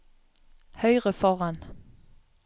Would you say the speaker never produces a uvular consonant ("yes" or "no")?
no